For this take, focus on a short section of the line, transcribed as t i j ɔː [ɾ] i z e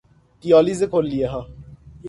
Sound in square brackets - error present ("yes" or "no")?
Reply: yes